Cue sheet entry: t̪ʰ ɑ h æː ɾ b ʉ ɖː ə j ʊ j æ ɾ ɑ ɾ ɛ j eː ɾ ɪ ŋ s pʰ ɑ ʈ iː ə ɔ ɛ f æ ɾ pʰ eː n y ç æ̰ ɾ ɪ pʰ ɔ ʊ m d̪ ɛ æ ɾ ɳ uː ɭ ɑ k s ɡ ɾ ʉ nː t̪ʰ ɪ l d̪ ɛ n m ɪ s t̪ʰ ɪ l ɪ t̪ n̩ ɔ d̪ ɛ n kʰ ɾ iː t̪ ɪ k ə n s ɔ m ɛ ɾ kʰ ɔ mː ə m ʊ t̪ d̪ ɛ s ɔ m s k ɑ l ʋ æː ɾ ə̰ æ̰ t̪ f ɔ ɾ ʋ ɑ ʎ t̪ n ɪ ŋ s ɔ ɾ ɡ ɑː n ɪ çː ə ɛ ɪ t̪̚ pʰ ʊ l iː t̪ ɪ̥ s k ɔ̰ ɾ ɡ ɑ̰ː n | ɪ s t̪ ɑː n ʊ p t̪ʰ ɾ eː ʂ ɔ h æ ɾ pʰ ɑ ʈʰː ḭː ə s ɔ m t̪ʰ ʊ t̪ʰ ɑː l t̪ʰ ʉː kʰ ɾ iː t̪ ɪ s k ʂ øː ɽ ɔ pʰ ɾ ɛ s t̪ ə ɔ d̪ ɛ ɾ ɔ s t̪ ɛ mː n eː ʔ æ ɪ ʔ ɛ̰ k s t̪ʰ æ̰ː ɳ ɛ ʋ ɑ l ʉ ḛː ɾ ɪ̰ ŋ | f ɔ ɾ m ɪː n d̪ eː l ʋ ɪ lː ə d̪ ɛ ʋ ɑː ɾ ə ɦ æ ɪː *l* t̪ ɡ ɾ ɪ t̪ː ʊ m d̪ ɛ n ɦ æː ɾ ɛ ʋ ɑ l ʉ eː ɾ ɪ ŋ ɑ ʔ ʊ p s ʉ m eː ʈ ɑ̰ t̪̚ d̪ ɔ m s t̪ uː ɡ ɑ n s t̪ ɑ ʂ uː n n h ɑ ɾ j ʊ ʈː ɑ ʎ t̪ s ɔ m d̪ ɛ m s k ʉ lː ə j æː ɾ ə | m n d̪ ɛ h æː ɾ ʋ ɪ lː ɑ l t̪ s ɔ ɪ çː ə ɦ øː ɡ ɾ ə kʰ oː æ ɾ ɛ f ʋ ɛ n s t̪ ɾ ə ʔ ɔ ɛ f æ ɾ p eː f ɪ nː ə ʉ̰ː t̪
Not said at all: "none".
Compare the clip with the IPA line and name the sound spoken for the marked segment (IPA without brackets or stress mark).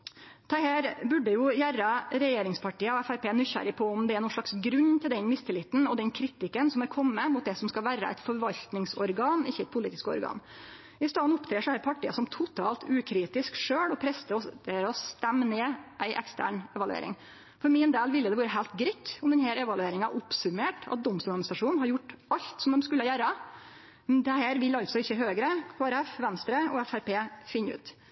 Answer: l